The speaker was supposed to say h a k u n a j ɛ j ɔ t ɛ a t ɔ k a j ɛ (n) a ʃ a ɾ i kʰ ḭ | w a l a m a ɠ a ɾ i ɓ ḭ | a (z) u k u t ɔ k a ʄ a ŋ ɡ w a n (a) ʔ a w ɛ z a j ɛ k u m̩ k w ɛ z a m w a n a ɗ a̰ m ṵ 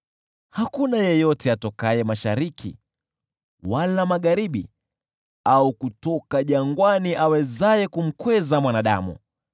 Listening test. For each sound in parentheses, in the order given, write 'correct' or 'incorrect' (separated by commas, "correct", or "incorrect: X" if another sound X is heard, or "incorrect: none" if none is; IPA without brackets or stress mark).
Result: incorrect: m, incorrect: none, incorrect: i